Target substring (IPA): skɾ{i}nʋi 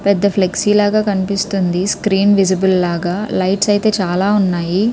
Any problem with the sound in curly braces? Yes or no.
yes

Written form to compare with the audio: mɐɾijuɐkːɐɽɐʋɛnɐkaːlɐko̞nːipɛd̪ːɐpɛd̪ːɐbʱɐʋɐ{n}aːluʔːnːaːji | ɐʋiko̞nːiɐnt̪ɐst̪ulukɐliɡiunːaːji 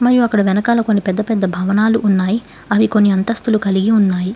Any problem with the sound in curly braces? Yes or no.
no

